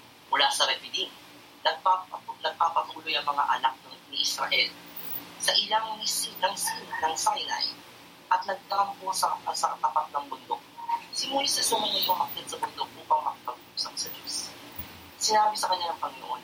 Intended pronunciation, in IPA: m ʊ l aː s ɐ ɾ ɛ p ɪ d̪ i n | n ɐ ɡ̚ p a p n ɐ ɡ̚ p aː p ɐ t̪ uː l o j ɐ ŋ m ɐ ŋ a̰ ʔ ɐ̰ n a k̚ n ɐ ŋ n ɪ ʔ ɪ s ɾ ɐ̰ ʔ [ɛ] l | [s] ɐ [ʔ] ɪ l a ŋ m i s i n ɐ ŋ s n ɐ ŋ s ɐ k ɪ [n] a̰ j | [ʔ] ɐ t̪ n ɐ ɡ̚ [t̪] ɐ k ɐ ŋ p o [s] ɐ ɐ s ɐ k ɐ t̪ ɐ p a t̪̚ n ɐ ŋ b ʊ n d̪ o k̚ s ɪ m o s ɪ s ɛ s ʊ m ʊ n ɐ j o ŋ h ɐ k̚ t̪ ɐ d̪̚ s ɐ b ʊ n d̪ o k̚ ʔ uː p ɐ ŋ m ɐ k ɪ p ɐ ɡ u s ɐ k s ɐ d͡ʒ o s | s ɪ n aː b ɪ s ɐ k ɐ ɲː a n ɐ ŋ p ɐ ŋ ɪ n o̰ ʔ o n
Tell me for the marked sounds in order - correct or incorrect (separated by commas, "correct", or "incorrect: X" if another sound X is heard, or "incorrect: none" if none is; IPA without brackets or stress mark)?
correct, correct, correct, correct, correct, correct, correct